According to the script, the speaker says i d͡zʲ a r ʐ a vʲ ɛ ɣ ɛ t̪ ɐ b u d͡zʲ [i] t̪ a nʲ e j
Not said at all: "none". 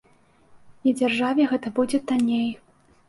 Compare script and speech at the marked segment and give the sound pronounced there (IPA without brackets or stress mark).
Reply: ɛ